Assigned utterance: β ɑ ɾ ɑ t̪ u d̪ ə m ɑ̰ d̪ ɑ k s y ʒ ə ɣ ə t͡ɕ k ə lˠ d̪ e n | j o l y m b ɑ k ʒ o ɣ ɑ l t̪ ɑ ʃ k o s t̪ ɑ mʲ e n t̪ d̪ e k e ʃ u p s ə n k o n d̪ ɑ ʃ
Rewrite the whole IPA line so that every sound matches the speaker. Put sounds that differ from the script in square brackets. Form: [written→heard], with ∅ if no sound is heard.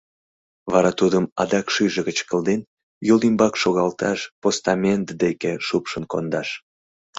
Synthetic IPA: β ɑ ɾ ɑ t̪ u d̪ ə m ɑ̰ d̪ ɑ k [s→ʃ] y ʒ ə ɣ ə t͡ɕ k ə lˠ d̪ e n | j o l [y→i] m b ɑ k [ʒ→ʃ] o ɣ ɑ l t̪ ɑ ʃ [k→p] o s t̪ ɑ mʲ e n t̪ d̪ e k e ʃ u p [s→ʃ] ə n k o n d̪ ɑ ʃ